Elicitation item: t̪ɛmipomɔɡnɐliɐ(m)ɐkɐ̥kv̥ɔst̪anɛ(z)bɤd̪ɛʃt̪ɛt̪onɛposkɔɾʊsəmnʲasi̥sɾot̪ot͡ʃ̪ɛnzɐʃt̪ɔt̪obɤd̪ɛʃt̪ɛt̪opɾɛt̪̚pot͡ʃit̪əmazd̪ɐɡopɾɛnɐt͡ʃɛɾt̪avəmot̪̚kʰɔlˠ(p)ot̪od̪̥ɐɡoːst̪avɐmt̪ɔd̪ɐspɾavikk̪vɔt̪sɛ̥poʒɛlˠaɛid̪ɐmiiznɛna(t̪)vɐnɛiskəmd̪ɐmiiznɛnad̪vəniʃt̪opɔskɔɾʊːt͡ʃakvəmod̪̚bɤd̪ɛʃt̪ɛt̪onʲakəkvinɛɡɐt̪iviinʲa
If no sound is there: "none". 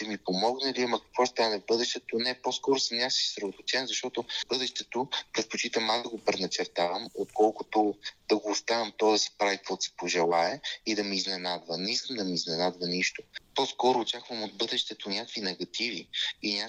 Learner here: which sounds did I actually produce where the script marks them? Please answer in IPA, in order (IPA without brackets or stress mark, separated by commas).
m, v, k, d̪